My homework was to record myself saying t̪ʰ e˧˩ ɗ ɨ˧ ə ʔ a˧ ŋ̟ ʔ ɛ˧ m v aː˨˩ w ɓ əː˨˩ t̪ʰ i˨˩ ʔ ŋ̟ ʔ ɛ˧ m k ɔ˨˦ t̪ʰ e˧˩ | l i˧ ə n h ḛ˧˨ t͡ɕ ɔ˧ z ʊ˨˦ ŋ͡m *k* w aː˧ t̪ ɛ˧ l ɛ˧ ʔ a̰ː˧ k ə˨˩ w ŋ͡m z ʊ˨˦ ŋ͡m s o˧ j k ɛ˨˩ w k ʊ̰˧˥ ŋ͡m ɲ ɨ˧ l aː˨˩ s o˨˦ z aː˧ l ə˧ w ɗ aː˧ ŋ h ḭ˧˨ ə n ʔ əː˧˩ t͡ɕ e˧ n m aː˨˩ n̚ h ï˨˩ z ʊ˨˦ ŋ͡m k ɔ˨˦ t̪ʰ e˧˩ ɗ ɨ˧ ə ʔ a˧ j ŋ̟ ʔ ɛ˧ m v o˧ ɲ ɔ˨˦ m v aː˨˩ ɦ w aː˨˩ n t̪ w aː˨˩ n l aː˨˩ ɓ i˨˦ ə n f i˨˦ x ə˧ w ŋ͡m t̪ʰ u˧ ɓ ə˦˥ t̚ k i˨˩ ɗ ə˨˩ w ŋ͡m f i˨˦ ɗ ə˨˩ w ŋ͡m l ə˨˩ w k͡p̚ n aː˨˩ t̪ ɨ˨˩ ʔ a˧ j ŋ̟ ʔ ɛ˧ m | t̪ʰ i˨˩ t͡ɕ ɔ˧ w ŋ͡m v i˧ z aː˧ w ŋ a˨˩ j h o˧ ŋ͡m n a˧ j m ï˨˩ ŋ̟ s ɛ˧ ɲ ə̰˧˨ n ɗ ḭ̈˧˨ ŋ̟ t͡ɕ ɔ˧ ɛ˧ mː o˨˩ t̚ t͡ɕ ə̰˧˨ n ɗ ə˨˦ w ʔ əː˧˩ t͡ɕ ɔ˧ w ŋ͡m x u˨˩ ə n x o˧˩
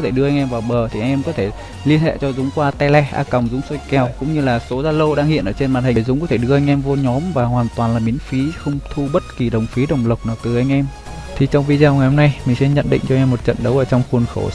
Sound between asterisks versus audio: correct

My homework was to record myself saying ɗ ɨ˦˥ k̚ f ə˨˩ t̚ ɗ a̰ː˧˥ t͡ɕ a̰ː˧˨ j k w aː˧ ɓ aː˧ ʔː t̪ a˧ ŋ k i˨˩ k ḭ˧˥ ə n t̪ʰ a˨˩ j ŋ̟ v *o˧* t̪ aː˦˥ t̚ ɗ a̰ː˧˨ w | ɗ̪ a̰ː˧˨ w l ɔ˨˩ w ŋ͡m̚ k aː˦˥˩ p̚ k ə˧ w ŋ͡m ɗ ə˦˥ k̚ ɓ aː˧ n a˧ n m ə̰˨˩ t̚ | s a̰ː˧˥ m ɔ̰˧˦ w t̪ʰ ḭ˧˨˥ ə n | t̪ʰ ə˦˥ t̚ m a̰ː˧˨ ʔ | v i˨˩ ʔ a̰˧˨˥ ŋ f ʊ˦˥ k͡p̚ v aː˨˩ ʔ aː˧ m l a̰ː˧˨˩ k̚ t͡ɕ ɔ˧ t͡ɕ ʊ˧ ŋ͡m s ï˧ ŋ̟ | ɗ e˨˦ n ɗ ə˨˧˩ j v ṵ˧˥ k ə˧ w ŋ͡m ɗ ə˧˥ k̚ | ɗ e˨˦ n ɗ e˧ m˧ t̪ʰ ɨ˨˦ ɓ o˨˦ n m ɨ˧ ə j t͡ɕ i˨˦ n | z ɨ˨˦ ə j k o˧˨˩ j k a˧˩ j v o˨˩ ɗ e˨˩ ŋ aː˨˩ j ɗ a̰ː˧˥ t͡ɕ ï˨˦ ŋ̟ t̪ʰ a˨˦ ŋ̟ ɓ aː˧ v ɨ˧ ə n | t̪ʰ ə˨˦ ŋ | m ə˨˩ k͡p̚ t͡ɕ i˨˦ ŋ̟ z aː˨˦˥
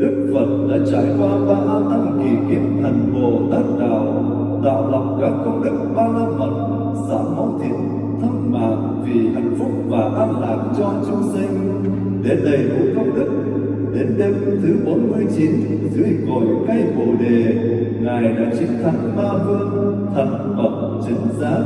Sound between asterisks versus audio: incorrect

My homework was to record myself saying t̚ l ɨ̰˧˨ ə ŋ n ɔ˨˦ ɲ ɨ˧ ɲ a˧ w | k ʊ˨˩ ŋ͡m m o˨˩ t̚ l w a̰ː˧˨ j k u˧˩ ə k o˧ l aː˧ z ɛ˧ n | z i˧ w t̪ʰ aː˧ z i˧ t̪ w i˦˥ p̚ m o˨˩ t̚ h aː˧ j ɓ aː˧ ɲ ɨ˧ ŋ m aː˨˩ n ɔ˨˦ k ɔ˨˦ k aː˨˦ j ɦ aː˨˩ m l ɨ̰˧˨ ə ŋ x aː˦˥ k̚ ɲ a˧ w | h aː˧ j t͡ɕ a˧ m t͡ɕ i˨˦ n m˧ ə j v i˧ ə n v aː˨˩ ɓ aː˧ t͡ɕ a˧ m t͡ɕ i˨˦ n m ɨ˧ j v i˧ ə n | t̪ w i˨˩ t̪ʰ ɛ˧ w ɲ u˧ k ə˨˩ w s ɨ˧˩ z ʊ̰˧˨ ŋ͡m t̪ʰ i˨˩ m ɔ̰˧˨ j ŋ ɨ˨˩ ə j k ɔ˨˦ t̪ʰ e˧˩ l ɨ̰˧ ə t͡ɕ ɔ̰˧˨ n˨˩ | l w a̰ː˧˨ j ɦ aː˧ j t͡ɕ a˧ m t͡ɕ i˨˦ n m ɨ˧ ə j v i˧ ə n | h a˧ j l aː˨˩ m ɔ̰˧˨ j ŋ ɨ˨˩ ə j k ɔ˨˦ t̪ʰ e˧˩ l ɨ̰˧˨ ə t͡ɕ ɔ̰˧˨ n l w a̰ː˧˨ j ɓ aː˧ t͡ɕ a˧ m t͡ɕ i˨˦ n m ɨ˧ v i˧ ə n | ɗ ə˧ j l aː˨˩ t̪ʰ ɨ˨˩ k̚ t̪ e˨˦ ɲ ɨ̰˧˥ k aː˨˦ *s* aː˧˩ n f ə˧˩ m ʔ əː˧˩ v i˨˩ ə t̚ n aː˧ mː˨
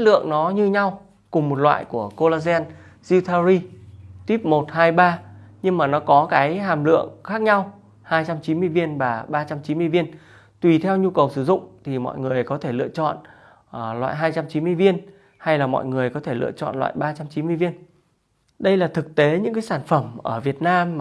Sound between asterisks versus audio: correct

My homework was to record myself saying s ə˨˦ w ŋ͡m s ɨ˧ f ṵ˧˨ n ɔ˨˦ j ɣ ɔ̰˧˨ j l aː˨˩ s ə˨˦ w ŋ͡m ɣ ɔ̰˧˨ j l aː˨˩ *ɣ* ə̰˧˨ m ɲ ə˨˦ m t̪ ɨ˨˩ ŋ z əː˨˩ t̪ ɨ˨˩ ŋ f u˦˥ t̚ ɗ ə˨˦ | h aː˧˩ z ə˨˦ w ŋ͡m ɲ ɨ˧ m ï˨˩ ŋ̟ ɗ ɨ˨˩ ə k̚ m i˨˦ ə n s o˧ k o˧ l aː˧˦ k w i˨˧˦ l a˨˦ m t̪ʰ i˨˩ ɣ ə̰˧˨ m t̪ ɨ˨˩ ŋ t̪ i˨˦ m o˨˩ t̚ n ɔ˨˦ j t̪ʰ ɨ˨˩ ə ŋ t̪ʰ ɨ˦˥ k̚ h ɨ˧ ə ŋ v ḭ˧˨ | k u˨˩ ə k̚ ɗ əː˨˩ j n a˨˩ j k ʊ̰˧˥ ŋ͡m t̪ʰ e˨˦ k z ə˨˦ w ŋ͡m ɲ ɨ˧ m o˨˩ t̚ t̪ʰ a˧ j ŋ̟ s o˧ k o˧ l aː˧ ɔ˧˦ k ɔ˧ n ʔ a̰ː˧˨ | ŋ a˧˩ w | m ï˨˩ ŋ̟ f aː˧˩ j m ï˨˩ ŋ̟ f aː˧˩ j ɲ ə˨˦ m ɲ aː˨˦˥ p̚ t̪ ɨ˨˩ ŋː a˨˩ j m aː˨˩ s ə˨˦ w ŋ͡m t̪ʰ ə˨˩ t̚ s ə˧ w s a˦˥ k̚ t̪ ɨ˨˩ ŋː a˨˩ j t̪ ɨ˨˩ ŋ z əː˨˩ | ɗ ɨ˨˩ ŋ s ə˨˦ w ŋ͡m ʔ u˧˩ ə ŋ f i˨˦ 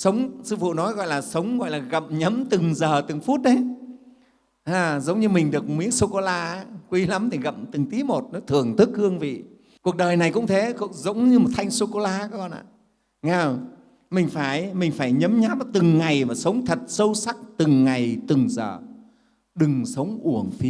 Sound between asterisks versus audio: correct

